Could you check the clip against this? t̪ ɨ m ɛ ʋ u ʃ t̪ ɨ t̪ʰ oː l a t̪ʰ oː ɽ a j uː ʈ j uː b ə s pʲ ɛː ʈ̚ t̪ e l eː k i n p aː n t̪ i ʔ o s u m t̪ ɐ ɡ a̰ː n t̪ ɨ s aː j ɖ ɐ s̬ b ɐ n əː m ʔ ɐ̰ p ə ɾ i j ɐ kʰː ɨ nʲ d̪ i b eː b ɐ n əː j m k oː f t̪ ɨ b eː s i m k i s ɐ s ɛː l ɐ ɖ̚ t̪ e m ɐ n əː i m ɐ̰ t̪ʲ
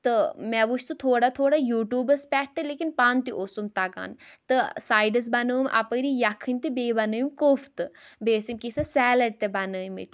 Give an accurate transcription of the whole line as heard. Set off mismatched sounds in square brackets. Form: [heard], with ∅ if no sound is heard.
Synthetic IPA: t̪ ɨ m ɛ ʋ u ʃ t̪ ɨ t̪ʰ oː [ɽ] a t̪ʰ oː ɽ a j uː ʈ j uː b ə s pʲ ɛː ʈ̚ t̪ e l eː k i n p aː n t̪ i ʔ o s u m t̪ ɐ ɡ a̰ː n t̪ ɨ s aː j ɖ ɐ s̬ b ɐ n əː m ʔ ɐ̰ p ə ɾ i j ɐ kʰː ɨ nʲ [t̪] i b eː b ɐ n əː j m k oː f t̪ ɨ b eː s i m k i s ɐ s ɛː l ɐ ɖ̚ t̪ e [b] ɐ n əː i m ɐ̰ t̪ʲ